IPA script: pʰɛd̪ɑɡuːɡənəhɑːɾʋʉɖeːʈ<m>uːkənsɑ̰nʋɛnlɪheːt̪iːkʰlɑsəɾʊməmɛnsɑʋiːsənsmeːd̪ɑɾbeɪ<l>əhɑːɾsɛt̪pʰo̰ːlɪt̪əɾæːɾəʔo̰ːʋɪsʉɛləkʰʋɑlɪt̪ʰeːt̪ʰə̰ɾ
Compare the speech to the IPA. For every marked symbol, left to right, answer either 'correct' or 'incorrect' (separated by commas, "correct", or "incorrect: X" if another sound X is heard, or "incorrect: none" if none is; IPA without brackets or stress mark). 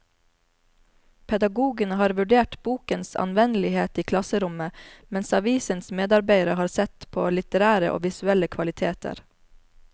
incorrect: b, incorrect: ɾ